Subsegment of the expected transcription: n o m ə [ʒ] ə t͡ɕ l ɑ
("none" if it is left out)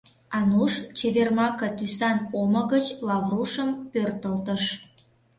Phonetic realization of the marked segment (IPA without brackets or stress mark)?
ɣ